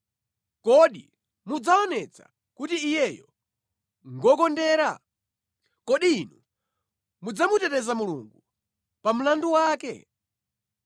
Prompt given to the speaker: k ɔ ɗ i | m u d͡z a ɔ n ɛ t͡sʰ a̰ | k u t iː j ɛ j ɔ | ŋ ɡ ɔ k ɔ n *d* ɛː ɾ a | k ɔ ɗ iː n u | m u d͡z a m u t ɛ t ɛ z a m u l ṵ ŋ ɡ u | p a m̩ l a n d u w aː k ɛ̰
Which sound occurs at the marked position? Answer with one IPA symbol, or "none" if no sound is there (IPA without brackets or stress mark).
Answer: d